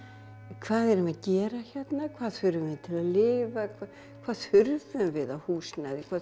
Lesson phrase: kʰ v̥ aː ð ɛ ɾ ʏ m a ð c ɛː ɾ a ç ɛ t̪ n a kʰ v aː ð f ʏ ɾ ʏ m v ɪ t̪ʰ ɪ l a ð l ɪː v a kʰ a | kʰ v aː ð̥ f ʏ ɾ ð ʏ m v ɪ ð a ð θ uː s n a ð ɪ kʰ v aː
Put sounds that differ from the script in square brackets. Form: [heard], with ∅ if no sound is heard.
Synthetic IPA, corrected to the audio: kʰ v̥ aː ð ɛ ɾ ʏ m a ð c ɛː ɾ a ç ɛ t̪ n a kʰ v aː ð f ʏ ɾ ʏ m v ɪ t̪ʰ ɪ l a ð l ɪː v a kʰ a | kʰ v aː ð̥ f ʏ ɾ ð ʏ m v ɪ ð a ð [h] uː s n a ð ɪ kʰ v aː